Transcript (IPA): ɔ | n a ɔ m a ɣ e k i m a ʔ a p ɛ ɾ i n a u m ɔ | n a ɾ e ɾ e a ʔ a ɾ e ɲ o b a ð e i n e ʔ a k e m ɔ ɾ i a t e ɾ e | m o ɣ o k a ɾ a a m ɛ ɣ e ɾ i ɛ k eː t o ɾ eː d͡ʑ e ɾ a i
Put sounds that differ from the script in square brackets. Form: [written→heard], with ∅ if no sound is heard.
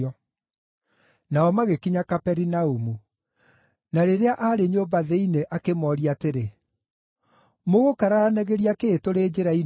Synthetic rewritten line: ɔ | n a ɔ m a ɣ e k i [m→ɲ] a [ʔ→k] a p ɛ ɾ i n a u m [ɔ→u] | n a ɾ e ɾ e a ʔ a ɾ e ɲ o b a ð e i n e ʔ a k e m ɔ ɾ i a t e ɾ e | m o ɣ o k a ɾ a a [m→n] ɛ ɣ e ɾ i [ɛ→a] k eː t o ɾ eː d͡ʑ e ɾ a i